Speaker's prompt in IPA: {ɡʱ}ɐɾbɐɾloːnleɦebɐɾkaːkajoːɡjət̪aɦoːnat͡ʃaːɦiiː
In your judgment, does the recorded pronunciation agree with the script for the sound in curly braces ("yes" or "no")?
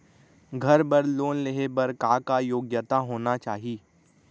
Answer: yes